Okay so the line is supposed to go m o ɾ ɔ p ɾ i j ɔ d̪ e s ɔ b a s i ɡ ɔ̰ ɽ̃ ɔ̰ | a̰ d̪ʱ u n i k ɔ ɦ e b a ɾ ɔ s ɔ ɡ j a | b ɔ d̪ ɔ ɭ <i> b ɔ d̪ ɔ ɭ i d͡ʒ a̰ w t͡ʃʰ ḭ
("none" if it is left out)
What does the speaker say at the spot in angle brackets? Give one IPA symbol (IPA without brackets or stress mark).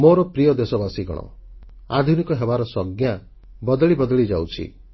i